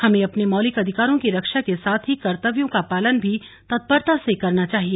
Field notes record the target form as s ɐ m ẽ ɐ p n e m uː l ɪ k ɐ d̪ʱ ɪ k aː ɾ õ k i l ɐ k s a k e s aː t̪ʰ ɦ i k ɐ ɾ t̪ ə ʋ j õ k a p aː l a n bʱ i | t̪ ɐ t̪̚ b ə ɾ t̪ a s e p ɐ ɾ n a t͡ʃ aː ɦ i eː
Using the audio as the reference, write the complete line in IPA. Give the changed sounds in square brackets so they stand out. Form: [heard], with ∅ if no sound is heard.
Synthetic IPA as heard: [h] ɐ m ẽ ɐ p n e m [ɔː] l ɪ k ɐ d̪ʱ ɪ k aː ɾ õ k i [ɾ] ɐ k [ʃ] a k e s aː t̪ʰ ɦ i k ɐ ɾ t̪ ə ʋ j õ k a p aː l [ə] n bʱ i | t̪ ɐ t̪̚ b ə ɾ t̪ a s e [k] ɐ ɾ n a t͡ʃ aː ɦ i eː